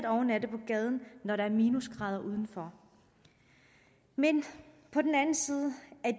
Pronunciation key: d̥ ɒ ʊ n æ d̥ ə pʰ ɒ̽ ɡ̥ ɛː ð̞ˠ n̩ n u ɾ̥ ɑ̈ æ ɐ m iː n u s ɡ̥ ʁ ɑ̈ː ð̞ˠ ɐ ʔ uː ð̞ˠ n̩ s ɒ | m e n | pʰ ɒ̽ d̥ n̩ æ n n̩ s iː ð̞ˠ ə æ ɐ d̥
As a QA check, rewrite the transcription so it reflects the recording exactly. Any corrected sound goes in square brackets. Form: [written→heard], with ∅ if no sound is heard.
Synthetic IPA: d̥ ɒ ʊ n æ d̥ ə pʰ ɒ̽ ɡ̥ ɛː ð̞ˠ n̩ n [u→ɒ] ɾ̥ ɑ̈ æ ɐ m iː n u s ɡ̥ ʁ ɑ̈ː ð̞ˠ ɐ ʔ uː ð̞ˠ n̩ [s→f] ɒ | m e n | pʰ ɒ̽ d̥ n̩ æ n n̩ s iː ð̞ˠ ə æ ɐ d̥